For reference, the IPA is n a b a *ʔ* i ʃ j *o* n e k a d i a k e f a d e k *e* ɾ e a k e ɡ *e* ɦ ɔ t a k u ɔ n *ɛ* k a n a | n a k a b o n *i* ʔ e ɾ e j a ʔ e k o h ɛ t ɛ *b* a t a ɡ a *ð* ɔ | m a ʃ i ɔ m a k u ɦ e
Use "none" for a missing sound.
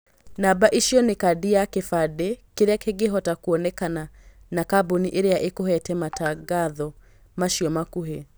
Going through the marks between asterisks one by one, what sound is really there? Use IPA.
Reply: ʔ, ɔ, e, e, ɛ, i, m, ð

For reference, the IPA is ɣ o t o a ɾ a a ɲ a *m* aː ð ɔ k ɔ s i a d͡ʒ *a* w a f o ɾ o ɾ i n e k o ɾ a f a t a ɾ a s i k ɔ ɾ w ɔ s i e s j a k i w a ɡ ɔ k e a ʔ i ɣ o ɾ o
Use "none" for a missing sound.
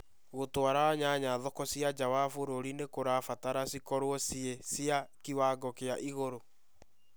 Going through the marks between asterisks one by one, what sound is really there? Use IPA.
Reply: ɲ, a

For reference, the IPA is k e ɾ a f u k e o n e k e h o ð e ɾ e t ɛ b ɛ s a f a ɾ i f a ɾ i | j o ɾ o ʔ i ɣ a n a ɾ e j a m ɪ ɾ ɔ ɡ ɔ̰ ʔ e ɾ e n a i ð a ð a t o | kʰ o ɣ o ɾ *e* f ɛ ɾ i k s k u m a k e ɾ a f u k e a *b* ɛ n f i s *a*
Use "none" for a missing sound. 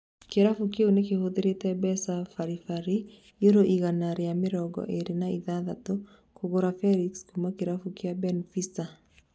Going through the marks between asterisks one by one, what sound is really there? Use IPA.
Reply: a, b, a

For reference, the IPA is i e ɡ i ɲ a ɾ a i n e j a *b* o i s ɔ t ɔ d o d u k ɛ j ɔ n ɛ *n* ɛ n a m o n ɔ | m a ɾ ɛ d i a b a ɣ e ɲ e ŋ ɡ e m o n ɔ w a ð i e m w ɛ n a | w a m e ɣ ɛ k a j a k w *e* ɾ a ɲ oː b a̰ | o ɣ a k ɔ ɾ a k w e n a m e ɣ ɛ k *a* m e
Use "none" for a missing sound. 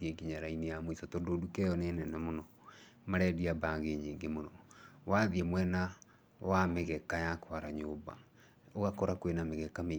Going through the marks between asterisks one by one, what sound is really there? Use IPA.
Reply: m, n, a, a

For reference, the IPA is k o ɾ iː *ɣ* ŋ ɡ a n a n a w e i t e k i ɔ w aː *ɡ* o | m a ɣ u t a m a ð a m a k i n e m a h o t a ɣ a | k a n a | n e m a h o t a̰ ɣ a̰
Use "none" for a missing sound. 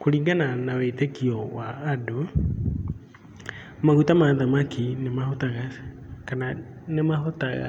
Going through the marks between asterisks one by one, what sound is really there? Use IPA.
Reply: none, d

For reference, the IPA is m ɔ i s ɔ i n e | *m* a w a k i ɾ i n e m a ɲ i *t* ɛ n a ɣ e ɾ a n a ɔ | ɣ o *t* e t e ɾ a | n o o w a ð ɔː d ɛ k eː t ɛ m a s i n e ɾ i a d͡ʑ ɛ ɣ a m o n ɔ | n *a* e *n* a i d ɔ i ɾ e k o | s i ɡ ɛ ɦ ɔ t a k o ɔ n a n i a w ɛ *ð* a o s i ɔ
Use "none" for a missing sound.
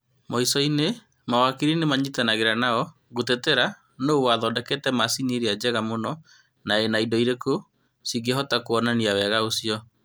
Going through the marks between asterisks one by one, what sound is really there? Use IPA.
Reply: m, t, t, a, n, ɣ

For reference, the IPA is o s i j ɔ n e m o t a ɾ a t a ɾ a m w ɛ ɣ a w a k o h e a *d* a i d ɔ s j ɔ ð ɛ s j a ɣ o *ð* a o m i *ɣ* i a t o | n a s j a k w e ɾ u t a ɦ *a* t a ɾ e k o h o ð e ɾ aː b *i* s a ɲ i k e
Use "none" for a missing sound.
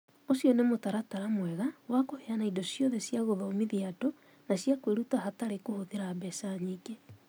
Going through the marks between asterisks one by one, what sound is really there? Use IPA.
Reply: n, ð, ð, a, ɛ

